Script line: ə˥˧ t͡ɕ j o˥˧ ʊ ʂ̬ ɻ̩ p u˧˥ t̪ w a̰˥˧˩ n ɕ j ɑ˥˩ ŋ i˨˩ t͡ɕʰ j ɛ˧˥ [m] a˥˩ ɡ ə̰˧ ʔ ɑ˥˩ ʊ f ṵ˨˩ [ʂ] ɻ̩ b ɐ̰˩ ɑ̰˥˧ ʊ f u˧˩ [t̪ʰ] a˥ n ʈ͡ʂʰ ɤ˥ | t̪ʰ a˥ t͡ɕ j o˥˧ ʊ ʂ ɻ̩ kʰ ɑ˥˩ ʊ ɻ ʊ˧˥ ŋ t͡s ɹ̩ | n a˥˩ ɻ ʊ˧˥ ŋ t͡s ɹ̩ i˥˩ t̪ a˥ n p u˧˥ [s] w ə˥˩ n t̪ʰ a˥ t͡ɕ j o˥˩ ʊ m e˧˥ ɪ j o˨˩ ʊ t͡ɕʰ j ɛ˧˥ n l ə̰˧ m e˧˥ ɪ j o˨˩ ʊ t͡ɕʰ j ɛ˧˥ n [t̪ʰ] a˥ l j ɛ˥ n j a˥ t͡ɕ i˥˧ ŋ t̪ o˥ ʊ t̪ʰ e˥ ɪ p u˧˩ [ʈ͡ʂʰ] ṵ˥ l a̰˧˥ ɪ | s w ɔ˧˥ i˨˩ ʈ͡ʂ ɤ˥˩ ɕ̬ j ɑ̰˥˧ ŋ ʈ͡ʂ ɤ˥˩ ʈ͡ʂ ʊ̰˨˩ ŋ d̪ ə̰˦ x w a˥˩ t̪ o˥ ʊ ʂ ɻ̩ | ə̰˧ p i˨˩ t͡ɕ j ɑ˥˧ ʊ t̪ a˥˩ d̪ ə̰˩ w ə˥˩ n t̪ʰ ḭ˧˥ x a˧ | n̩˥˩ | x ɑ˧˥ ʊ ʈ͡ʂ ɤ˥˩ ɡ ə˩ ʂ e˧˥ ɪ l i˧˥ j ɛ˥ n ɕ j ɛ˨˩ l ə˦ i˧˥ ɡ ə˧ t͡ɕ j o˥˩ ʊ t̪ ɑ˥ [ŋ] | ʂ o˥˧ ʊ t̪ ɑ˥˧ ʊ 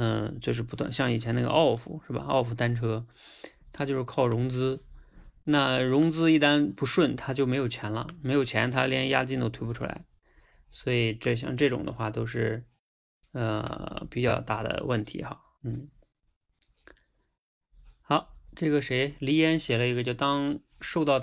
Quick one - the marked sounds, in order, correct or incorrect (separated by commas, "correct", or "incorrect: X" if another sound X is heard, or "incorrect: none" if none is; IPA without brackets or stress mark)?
incorrect: n, correct, incorrect: t̪, incorrect: ʂ, correct, correct, correct